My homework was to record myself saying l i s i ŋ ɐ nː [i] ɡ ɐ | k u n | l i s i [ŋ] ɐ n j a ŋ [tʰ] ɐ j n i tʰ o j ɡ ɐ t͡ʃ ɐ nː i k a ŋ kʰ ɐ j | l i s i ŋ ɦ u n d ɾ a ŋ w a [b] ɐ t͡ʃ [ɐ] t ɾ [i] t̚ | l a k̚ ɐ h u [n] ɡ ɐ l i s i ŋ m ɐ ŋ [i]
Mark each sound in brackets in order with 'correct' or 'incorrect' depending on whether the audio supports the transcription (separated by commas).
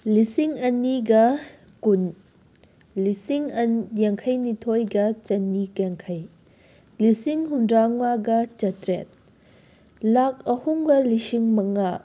correct, correct, incorrect, incorrect, correct, incorrect, incorrect, incorrect